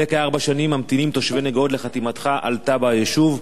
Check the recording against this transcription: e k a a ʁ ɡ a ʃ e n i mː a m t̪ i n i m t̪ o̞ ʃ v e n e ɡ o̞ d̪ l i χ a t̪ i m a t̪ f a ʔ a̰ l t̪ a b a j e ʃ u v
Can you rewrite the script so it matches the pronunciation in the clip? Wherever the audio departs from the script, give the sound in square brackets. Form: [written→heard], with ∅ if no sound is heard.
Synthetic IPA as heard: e k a a ʁ [ɡ→b] a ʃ [e→a] n i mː a m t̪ i n i m t̪ o̞ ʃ v e n e ɡ o̞ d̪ l [i→e] χ a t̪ i m a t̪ [f→χ] a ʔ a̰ l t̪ a b a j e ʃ u v